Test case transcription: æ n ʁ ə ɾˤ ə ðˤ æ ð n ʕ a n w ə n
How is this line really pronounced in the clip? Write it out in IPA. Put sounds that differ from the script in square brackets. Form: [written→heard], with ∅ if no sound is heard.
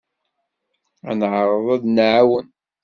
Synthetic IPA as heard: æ n [ʁ→ʕ] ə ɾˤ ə ðˤ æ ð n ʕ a [n→∅] w ə n

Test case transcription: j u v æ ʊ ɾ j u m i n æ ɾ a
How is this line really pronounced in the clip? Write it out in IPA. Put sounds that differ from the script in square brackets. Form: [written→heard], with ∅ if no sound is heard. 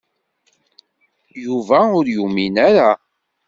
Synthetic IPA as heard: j u v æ ʊ ɾ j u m i n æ ɾ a

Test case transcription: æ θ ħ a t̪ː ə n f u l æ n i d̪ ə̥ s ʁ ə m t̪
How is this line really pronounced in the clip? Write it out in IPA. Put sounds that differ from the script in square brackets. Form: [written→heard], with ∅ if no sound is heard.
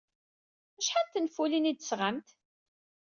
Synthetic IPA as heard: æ [θ→ʃ] ħ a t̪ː ə n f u l [æ→i] n i d̪ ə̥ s ʁ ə m t̪

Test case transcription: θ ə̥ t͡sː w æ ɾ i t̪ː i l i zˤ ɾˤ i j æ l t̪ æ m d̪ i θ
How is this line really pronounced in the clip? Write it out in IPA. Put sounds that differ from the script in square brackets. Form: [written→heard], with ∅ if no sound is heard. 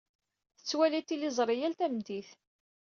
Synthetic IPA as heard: θ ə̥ t͡sː w æ [ɾ→l] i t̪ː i l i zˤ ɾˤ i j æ l t̪ æ m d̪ i θ

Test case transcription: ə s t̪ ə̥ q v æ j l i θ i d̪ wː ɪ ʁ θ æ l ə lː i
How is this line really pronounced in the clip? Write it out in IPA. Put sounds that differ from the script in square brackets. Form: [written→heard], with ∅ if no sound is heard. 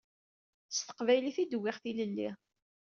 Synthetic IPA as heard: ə s t̪ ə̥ q v æ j l i θ i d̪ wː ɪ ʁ θ [æ→i] l ə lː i

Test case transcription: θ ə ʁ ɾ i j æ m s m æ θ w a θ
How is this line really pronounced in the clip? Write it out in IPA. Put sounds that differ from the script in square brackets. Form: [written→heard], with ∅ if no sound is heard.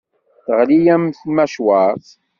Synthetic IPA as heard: θ ə ʁ [ɾ→l] i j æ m [s→θ] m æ [θ→ʃ] w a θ

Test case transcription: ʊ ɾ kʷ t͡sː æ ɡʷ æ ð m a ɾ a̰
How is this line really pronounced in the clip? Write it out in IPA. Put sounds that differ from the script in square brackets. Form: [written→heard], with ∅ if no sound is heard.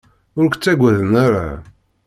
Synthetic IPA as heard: ʊ ɾ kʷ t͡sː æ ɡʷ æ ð [m→n] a ɾ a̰

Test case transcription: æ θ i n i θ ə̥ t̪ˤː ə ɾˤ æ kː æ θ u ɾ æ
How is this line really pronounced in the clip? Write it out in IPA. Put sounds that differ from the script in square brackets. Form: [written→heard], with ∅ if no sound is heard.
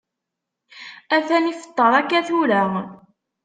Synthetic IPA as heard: æ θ [i→æ] n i [θ→f] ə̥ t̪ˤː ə ɾˤ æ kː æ θ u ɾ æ

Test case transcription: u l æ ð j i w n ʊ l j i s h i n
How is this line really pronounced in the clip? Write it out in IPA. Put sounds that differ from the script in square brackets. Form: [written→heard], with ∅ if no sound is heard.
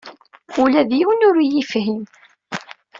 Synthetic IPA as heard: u l æ ð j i w n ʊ [l→ɾ] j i [s→f] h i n

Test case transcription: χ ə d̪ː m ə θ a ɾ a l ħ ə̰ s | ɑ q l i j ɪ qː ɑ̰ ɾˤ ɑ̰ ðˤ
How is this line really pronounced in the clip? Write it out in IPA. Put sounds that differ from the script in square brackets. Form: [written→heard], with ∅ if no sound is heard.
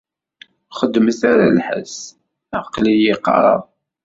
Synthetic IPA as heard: χ ə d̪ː m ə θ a ɾ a l ħ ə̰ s | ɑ q l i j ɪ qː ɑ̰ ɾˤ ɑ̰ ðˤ

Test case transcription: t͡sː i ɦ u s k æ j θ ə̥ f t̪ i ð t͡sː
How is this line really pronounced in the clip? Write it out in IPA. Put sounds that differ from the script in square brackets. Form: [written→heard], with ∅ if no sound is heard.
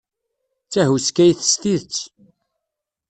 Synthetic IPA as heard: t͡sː [i→æ] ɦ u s k æ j θ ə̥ [f→s] t̪ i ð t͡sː

